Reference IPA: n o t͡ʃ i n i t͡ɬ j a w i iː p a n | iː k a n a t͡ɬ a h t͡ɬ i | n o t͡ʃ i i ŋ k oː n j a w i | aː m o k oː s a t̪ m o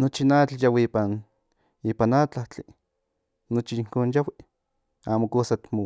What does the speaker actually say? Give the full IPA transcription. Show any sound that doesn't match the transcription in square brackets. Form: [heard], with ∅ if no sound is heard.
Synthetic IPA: n o t͡ʃ i n [a] t͡ɬ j a w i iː p a n | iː [p] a n a t͡ɬ a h t͡ɬ i | n o t͡ʃ i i ŋ k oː n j a w i | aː m o k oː s a t̪ m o